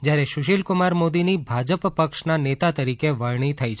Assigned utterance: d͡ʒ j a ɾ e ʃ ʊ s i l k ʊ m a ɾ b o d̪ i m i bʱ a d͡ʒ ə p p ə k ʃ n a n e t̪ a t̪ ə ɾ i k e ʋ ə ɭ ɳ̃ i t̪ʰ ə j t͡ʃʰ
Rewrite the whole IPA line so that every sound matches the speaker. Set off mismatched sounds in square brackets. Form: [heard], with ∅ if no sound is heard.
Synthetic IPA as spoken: d͡ʒ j a ɾ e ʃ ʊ [ʃ] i l k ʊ m a ɾ [m] o d̪ i [n] i bʱ a d͡ʒ ə p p ə k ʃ n a n e t̪ a t̪ ə ɾ i k e ʋ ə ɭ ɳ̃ i t̪ʰ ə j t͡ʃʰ